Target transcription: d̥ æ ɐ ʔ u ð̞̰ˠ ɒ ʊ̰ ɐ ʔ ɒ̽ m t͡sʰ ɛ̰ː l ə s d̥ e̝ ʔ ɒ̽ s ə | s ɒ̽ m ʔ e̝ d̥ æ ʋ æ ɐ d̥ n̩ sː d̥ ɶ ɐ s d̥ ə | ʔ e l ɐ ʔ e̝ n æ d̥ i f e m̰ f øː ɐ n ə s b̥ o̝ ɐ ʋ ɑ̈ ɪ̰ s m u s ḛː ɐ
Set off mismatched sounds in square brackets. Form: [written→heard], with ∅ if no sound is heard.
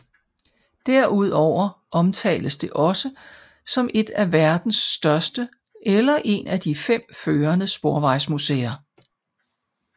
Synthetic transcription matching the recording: d̥ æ ɐ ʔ u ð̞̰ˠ ɒ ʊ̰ ɐ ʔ ɒ̽ m t͡sʰ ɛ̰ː l ə s d̥ e̝ ʔ ɒ̽ s ə | s ɒ̽ m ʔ e̝ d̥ æ ʋ æ ɐ d̥ n̩ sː d̥ ɶ ɐ s d̥ ə | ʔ e l ɐ ʔ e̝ n æ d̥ i f e m̰ f øː ɐ n ə s b̥ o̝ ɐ ʋ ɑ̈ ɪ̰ s m u s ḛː ɐ